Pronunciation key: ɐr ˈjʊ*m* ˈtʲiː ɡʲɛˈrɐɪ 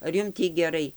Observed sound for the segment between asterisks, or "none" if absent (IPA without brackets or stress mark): m